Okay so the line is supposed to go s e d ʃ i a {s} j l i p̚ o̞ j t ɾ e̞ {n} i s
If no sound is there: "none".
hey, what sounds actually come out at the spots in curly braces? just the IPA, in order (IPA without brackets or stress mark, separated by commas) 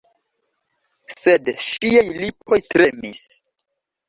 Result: none, m